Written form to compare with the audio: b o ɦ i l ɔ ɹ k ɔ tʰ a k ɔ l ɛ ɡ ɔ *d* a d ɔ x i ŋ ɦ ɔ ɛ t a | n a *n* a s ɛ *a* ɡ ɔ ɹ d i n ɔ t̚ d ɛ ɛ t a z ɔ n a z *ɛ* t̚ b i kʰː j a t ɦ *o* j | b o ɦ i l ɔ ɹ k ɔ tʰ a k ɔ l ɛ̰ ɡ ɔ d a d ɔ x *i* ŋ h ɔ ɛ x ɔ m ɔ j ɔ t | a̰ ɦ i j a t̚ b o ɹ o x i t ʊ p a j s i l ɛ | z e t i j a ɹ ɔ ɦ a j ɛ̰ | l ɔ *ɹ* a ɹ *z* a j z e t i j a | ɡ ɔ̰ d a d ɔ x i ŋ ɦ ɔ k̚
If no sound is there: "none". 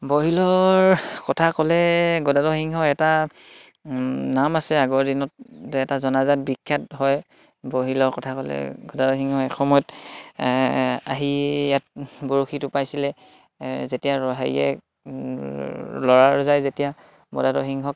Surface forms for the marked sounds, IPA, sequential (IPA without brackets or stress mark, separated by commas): d, m, a, a, ɔ, i, ɹ, z